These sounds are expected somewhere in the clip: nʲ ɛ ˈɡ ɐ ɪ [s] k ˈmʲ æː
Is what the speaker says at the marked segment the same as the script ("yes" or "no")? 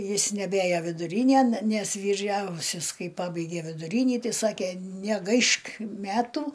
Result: no